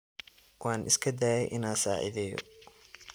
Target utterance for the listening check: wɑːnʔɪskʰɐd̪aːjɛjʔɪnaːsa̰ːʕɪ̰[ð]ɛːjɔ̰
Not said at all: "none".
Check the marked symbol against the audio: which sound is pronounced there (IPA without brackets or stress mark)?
ð